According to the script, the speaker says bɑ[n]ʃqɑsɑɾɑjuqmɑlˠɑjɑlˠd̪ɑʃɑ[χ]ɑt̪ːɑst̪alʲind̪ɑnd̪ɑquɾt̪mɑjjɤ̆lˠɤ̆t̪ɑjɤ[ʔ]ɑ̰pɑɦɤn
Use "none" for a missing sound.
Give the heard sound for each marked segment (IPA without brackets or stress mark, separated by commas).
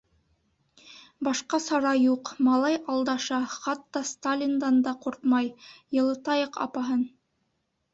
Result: none, χ, q